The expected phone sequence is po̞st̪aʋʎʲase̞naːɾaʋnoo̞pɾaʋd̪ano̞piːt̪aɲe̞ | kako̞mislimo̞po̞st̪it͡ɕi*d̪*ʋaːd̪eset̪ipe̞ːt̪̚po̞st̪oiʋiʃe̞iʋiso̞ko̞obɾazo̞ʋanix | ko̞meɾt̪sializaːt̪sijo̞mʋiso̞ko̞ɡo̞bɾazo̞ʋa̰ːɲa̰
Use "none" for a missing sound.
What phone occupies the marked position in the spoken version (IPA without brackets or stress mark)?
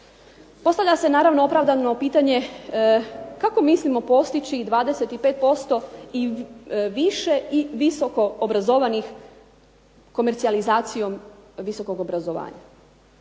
d̪